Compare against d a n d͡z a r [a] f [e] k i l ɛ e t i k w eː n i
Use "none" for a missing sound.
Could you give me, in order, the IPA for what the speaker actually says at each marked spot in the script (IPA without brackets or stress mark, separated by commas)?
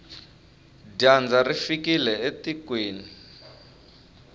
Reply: i, i